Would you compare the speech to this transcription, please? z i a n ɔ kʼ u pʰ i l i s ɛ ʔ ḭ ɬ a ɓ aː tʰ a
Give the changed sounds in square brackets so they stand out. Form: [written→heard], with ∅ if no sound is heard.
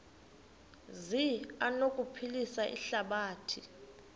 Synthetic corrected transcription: z i a n [ɔ→o] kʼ u pʰ i l i s [ɛ→a] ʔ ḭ ɬ a ɓ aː tʰ [a→i]